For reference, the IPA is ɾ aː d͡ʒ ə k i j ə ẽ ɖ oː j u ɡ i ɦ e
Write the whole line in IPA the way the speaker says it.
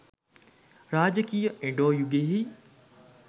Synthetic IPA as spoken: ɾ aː d͡ʒ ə k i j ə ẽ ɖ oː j u ɡ e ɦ i

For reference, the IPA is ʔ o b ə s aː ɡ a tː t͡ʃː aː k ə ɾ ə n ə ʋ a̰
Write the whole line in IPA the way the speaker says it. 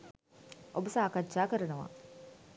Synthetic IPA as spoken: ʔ o b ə s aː k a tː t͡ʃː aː k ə ɾ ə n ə ʋ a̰

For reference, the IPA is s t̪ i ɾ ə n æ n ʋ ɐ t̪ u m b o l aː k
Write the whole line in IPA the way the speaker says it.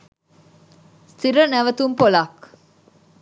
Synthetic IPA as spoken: s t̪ i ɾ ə n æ ʋ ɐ t̪ u m p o l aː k

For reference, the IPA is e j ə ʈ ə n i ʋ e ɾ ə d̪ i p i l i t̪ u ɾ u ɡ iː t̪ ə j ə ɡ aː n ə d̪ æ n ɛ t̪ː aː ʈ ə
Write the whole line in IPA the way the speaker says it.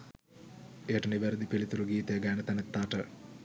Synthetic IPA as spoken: e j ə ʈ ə n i ʋ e ɾ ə d̪ i p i l i t̪ u ɾ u ɡ iː t̪ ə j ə ɡ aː n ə t̪ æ n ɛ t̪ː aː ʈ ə

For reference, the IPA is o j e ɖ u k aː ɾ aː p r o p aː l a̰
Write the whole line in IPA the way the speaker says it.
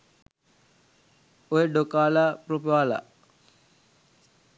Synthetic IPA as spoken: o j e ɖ o k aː l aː p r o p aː l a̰

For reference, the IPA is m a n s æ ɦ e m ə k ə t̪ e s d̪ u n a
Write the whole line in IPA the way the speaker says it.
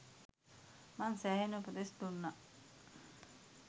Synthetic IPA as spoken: m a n s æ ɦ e n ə p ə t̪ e s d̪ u nː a

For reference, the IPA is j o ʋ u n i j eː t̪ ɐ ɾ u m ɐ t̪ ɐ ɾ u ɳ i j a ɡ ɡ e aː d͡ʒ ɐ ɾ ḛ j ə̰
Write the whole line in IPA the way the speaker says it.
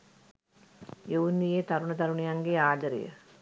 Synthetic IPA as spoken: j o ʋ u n i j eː t̪ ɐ ɾ u ɳ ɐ t̪ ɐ ɾ u ɳ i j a ŋ ɡ e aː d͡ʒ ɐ ɾ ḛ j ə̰

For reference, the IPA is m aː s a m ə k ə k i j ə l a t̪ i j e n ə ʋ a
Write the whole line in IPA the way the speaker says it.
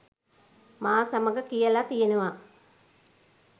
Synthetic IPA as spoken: m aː s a m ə ɡ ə k i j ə l a t̪ i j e n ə ʋ a

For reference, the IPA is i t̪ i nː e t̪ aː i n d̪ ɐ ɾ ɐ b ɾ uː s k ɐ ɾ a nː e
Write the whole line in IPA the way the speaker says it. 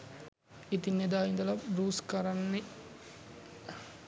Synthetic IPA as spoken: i t̪ i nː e d̪ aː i n d̪ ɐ l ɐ b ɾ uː s k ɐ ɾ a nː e

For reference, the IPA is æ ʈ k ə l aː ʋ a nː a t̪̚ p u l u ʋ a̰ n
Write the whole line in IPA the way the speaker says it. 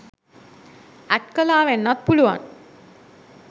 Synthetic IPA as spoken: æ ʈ k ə l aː ʋ e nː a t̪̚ p u l u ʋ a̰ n

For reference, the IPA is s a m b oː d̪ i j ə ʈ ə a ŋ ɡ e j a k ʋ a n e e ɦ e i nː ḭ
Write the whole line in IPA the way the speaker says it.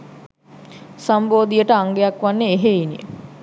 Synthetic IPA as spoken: s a m b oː d̪ i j ə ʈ ə a ŋ ɡ e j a k ʋ a nː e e ɦ e i n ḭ

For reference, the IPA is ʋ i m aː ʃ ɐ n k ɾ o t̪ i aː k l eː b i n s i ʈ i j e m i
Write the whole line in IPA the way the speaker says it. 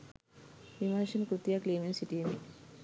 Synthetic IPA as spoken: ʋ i m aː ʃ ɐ n k ɾ u t̪ j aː k l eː m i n s i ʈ i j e m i

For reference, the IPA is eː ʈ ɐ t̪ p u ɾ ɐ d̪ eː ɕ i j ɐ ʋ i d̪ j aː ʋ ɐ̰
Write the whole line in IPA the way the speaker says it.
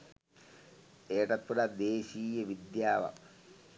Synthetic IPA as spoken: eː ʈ ɐ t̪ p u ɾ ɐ d̪ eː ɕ iː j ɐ ʋ i d̪ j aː ʋ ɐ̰

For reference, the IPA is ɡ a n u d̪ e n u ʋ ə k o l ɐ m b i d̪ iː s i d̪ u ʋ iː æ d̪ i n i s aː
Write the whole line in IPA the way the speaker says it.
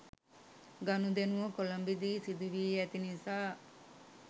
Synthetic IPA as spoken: ɡ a n u d̪ e n u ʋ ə k o l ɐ m b i d̪ iː s i d̪ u ʋ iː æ t̪ i n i s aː

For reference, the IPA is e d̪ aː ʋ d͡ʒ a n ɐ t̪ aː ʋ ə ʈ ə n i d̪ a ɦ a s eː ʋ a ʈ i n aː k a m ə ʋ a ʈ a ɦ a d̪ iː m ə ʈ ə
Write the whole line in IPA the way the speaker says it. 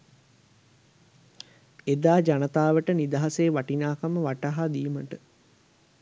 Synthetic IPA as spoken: e d̪ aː d͡ʒ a n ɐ t̪ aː ʋ ə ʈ ə n i d̪ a ɦ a s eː ʋ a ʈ i n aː k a m ə ʋ a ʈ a ɦ a d̪ iː m ə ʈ ə

